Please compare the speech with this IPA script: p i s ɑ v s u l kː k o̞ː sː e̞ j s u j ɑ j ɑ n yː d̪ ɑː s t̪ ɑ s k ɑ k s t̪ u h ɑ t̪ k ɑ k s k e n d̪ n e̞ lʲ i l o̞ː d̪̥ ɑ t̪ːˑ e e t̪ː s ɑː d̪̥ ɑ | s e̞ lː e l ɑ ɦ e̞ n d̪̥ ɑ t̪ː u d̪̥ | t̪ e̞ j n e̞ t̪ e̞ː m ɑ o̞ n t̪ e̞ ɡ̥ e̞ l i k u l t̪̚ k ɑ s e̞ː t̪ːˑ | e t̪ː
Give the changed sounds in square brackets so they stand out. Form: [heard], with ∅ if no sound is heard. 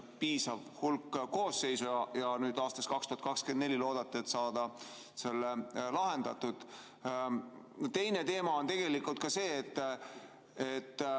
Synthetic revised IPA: p [iː] s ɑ v [h] u l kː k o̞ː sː e̞ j s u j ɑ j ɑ n yː d̪ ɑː s t̪ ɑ s k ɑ k s t̪ u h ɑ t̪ k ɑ k s k e n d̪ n e̞ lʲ i l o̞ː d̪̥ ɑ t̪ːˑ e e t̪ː s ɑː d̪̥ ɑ | s e̞ lː e l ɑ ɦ e̞ n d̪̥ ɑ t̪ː u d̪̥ | t̪ e̞ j n e̞ t̪ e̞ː m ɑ o̞ n t̪ e̞ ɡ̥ e̞ l i k u l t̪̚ k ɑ s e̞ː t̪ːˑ | e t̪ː